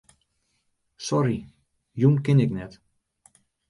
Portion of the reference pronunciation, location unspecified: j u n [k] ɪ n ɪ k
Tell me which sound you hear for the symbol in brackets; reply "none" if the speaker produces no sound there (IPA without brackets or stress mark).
k